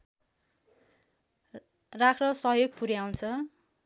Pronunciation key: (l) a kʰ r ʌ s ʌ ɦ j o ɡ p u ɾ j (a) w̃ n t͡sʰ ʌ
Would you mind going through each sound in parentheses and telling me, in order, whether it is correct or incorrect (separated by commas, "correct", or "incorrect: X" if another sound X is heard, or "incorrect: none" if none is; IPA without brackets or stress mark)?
incorrect: r, correct